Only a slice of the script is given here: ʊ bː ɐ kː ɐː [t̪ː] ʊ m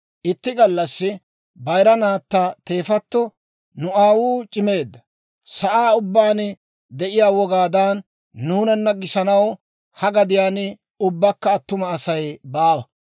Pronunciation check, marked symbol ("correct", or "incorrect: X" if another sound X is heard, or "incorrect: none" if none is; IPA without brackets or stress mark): correct